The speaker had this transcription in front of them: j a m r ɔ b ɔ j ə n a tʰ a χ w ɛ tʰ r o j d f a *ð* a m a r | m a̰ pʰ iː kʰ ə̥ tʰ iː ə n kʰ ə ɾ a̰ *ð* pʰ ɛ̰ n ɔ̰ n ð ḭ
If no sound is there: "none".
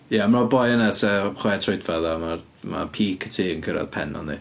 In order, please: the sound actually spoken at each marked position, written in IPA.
ð, ð

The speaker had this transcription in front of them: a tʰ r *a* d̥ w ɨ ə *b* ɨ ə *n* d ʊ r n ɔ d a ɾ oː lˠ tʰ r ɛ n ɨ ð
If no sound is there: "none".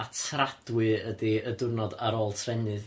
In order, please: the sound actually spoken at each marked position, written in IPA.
a, d, none

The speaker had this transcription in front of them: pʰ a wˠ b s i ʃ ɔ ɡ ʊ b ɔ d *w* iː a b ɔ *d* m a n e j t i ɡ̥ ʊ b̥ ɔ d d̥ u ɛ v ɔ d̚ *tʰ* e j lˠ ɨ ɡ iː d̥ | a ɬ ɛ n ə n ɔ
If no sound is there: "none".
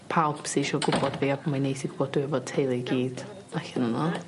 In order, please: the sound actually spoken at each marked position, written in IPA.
v, none, tʰ

